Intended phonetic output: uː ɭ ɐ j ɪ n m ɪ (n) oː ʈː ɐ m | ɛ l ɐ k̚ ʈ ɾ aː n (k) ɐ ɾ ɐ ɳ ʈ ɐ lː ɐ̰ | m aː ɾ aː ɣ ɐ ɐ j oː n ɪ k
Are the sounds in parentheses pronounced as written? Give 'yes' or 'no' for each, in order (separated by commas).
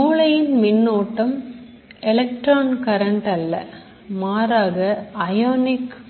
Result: no, yes